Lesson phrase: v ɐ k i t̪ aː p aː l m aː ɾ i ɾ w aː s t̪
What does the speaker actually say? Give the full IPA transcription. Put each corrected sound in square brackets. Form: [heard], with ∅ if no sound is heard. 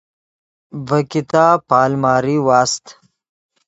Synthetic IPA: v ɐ k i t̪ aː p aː l m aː ɾ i [∅] w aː s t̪